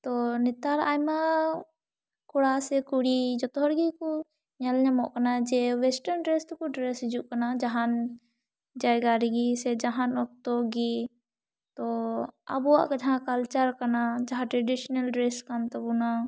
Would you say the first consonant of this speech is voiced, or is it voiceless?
voiceless